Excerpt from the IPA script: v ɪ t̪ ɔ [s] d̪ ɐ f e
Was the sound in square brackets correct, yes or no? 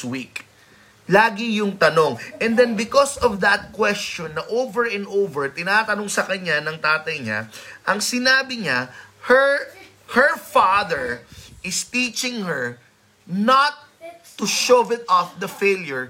no